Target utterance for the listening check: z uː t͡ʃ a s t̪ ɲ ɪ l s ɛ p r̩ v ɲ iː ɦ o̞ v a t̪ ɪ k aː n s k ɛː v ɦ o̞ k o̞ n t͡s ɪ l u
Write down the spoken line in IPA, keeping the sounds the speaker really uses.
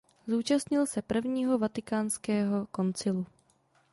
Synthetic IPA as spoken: z uː t͡ʃ a s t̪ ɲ ɪ l s ɛ p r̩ v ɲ iː ɦ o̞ v a t̪ ɪ k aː n s k ɛː ɦ o̞ k o̞ n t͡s ɪ l u